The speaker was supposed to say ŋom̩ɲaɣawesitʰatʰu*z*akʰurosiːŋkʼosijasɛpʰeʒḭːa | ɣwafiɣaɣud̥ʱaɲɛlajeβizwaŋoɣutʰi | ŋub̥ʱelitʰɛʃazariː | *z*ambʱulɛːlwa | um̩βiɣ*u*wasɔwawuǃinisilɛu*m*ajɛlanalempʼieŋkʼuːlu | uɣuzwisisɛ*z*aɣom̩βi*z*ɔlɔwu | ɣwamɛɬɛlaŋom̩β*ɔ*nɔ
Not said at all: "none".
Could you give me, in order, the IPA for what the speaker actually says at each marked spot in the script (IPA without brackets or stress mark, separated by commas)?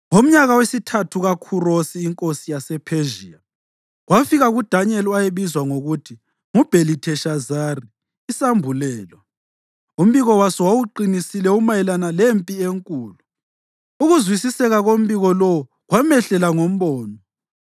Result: ɣ, s, ɔ, m, ɣ, ɣ, ɔː